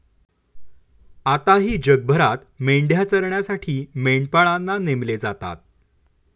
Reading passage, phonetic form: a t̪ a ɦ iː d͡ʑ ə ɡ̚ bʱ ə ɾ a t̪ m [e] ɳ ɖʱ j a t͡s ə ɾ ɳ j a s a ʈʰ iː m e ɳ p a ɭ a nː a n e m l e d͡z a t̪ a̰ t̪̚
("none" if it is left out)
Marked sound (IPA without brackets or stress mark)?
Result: e